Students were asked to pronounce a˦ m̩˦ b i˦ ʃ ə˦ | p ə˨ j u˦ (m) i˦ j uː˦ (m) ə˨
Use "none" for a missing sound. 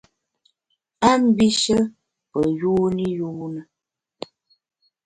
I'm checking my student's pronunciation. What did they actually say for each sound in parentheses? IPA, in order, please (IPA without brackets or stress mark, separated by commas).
n, n